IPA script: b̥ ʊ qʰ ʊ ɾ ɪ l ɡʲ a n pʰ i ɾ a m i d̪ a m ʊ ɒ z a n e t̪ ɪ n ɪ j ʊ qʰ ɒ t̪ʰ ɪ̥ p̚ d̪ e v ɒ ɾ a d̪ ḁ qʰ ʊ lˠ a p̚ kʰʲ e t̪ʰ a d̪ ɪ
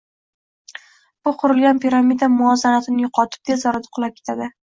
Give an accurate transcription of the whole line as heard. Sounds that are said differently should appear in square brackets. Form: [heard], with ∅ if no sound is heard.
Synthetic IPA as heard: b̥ ʊ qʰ ʊ ɾ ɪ l ɡʲ a n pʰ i ɾ a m i d̪ a m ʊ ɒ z a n [a] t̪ ɪ n ɪ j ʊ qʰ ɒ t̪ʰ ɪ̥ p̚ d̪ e [z] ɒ ɾ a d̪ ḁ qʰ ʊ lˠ a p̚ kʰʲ e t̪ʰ a d̪ ɪ

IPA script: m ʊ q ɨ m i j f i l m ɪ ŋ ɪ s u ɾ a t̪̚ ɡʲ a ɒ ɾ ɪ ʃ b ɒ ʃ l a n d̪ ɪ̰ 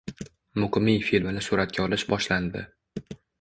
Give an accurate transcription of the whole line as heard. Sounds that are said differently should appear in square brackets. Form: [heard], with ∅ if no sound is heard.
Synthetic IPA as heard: m ʊ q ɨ m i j f i l m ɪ [n] ɪ s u ɾ a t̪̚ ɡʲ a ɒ [l] ɪ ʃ b ɒ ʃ l a n d̪ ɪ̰

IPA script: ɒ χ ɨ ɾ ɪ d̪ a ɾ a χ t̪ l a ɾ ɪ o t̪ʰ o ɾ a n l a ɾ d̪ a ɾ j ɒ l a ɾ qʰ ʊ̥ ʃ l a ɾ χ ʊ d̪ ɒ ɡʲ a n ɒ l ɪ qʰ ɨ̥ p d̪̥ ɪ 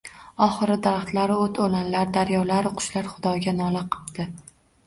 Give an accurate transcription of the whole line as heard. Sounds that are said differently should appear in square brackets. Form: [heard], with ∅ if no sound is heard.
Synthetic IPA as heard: ɒ χ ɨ ɾ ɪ d̪ a ɾ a χ t̪ l a ɾ ɪ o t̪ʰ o [l] a n l a ɾ d̪ a ɾ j ɒ l a ɾ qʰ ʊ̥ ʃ l a ɾ χ ʊ d̪ ɒ ɡʲ a n ɒ l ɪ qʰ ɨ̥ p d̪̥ ɪ

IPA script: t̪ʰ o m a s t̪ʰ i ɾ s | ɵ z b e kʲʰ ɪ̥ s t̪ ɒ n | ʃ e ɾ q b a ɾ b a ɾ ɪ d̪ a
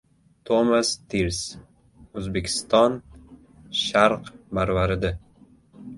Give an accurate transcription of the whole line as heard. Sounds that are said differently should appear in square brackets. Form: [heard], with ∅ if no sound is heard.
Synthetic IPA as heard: t̪ʰ o m a s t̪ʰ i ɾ s | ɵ z b e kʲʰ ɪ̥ s t̪ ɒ n | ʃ [a] ɾ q b a ɾ [v] a ɾ ɪ d̪ a

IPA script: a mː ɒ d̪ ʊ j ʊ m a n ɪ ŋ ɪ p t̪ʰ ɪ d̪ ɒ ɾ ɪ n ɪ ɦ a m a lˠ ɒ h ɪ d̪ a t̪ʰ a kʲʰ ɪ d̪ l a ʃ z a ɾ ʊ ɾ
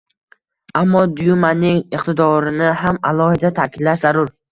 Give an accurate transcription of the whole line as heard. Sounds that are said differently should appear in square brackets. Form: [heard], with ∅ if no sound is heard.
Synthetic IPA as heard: a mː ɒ d̪ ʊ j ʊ m a n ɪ ŋ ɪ [q] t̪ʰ ɪ d̪ ɒ ɾ ɪ n ɪ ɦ a m a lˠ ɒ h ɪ d̪ a t̪ʰ a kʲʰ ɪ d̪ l a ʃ z a ɾ ʊ ɾ

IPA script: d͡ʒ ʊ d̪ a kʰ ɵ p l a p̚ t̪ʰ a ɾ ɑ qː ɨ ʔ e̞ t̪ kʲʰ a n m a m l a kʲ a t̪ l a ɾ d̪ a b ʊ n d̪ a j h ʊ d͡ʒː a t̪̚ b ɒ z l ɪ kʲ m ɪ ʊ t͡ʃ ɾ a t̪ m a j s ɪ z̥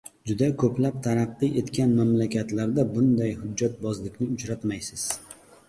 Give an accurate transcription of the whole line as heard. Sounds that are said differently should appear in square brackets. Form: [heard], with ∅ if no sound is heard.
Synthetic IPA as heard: d͡ʒ ʊ d̪ a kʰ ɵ p l a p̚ t̪ʰ a ɾ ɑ qː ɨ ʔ e̞ t̪ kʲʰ a n m a m l a kʲ a t̪ l a ɾ d̪ a b ʊ n d̪ a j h ʊ d͡ʒː a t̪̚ b ɒ z l ɪ kʲ [n] ɪ ʊ t͡ʃ ɾ a t̪ m a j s ɪ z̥

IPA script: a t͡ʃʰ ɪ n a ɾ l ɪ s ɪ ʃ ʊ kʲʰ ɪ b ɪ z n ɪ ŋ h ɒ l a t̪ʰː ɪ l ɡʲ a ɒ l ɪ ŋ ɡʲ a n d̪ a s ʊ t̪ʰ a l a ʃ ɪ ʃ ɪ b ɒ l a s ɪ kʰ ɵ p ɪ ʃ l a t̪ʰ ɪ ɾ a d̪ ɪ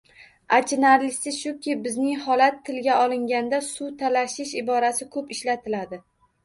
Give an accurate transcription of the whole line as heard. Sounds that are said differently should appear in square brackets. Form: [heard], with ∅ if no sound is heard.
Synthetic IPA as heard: a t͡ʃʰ ɪ n a ɾ l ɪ s ɪ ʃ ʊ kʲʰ ɪ b ɪ z n ɪ ŋ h ɒ l a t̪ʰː ɪ l ɡʲ a ɒ l ɪ ŋ ɡʲ a n d̪ a s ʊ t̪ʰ a l a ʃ ɪ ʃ ɪ b ɒ [ɾ] a s ɪ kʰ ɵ p ɪ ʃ l a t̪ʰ ɪ [l] a d̪ ɪ

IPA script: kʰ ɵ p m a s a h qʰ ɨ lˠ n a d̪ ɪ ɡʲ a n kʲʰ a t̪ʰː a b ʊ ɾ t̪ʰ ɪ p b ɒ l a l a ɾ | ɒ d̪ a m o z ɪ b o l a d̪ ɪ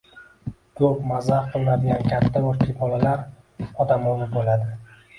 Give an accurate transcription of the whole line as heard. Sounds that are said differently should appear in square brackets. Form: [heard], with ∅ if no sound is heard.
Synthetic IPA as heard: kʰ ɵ p m a [z] a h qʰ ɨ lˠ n a d̪ ɪ ɡʲ a n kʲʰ a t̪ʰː a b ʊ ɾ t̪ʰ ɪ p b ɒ l a l a ɾ | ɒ d̪ a m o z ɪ b o l a d̪ ɪ

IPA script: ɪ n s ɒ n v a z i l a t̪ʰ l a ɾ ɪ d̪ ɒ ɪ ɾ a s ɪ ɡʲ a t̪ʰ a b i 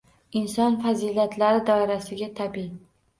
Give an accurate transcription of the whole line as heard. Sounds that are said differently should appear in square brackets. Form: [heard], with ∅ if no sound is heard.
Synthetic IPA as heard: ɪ n s ɒ n [f] a z i l a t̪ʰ l a ɾ ɪ d̪ ɒ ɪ ɾ a s ɪ ɡʲ a t̪ʰ a b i

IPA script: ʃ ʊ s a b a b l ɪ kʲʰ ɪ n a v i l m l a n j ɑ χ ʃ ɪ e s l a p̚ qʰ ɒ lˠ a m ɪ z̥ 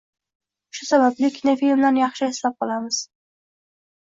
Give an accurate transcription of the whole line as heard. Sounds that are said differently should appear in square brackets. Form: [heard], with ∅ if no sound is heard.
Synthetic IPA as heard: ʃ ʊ s a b a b l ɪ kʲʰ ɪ n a [f] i l m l a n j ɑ χ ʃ ɪ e s l a p̚ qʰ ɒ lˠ a m ɪ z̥

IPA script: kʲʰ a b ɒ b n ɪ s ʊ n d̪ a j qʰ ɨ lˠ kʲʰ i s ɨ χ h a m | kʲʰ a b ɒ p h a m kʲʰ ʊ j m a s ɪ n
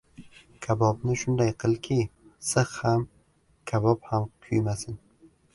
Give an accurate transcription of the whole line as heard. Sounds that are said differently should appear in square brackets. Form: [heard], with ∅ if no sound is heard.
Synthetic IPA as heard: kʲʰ a b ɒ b n ɪ [ʃ] ʊ n d̪ a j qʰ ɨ lˠ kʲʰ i s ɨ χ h a m | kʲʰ a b ɒ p h a m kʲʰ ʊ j m a s ɪ n

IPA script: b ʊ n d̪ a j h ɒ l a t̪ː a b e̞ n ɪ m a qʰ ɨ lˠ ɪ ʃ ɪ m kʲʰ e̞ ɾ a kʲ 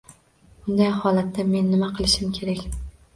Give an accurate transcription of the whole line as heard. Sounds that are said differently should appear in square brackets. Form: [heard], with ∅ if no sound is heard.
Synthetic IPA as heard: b ʊ n d̪ a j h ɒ l a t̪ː a [m] e̞ [nː] ɪ m a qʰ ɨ lˠ ɪ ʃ ɪ m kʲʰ e̞ ɾ a kʲ

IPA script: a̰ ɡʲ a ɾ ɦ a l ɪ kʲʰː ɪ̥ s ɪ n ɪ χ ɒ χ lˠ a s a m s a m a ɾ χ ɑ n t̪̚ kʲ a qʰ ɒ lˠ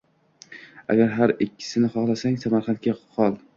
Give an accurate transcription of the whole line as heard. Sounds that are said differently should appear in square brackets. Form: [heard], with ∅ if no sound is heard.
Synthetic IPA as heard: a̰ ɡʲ a ɾ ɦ a [ɾ] ɪ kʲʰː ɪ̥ s ɪ n ɪ χ ɒ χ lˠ a s a [ŋ] s a m a ɾ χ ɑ n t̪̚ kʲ a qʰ ɒ lˠ

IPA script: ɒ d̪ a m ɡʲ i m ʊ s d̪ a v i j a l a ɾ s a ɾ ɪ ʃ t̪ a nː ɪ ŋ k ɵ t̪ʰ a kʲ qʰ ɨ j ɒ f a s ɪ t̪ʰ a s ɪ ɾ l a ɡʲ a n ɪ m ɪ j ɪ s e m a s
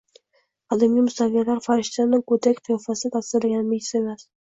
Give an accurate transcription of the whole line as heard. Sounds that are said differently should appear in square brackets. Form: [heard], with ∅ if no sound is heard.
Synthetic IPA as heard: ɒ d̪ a m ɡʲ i m ʊ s [t̪] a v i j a l a ɾ [f] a ɾ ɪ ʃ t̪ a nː ɪ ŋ k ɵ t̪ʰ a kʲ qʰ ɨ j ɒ f a s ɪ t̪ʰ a s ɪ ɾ l a ɡʲ a n ɪ m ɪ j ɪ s e m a s

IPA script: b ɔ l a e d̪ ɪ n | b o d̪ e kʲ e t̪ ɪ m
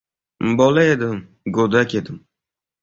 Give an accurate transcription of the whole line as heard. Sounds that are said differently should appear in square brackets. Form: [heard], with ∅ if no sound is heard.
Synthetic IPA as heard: b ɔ l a e d̪ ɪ [m] | [ɡ] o d̪ [a] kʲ e [d̪] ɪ m

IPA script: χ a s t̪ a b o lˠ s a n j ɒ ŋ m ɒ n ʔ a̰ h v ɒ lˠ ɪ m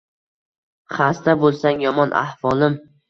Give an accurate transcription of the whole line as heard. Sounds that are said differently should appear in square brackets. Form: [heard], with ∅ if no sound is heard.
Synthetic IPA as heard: χ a s t̪ a b o lˠ s a [ŋ] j ɒ [∅] m ɒ n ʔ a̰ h v ɒ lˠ ɪ m

